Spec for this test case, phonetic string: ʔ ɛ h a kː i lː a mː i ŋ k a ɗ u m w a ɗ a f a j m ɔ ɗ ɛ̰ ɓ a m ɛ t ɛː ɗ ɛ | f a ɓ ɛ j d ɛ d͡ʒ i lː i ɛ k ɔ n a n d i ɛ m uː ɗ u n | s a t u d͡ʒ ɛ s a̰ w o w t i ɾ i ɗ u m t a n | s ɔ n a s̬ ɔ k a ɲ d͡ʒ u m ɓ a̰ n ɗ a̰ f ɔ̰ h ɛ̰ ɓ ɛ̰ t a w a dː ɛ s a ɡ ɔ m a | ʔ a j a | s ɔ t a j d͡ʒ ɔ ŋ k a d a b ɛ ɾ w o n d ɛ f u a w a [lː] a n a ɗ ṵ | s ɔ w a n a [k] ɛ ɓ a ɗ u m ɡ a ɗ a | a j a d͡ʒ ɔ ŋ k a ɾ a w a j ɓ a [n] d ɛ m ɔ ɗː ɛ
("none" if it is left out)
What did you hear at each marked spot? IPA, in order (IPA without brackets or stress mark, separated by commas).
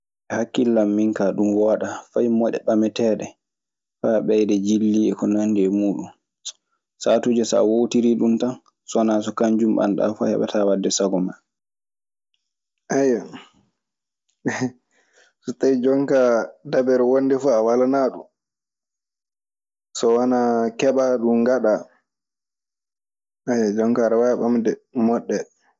l, k, m